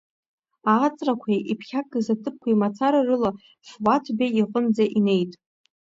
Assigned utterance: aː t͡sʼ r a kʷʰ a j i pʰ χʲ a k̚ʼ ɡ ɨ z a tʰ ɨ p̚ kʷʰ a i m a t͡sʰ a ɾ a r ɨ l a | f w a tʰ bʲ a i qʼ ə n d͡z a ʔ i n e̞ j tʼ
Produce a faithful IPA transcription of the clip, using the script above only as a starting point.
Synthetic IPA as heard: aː t͡sʼ r a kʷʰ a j i pʰ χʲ a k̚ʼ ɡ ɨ z a tʰ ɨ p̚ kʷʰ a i m a t͡sʰ a ɾ a r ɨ l a | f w a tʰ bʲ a i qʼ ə n d͡z a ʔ i n e̞ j tʼ